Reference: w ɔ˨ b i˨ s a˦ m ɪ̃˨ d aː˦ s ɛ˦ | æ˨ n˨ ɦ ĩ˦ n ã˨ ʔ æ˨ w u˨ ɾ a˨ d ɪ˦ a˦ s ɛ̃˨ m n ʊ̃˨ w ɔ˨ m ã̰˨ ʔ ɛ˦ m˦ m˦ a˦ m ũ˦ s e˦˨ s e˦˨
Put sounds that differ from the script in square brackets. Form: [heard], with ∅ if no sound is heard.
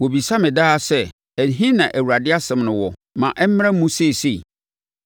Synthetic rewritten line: w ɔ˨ b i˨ s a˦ m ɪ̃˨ d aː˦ s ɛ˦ | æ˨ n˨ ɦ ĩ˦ n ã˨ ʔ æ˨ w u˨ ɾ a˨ d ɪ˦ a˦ s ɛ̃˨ m n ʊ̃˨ w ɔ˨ m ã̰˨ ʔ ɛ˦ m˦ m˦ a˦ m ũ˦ s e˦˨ s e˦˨